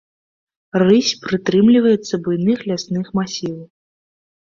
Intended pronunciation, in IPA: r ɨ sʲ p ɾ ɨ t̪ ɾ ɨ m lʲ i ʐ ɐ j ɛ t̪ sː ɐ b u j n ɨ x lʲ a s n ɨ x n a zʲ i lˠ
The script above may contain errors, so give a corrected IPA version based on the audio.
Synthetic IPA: r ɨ sʲ p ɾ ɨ t̪ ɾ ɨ m lʲ i v ɐ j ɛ t̪ sː ɐ b u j n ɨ x lʲ a s n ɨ x m a sʲ i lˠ